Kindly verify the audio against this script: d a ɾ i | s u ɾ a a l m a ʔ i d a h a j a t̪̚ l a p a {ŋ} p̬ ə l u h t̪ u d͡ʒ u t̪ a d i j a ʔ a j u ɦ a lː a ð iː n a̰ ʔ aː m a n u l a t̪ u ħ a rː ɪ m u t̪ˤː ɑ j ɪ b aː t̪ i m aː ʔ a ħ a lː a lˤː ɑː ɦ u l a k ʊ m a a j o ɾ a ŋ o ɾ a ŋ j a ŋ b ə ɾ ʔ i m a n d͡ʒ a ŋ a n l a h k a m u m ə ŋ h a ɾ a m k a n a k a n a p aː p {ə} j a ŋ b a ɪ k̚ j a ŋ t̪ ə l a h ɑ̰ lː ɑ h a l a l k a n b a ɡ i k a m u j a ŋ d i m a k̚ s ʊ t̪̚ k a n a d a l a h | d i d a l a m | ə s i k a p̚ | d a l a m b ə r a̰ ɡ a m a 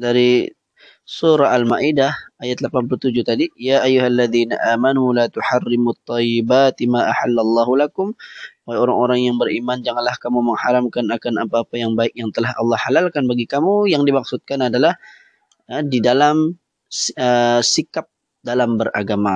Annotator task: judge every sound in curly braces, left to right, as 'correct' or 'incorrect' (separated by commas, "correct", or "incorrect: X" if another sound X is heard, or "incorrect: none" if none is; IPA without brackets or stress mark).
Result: incorrect: n, incorrect: a